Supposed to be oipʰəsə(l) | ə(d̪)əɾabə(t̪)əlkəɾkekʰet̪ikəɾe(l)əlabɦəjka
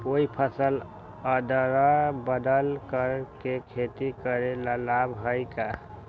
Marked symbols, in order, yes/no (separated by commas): yes, yes, no, yes